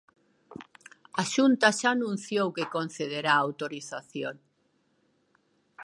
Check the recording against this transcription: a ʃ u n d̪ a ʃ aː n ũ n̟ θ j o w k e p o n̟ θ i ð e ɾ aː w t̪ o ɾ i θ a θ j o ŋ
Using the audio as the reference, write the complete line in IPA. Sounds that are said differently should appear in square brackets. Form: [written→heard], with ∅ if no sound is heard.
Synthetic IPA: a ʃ u n [d̪→t̪] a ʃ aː n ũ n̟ θ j o w k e [p→k] o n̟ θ [i→e] ð e ɾ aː w t̪ o ɾ i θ a θ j o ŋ